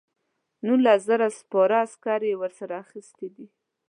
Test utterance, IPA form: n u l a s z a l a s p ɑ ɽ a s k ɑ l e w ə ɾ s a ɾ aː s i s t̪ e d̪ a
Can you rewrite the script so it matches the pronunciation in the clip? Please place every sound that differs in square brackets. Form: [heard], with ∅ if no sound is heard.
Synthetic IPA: n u l a s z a [ɾ] a s p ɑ [ɾ] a s k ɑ [ɾ] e w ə ɾ s a ɾ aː [x] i s t̪ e d̪ [i]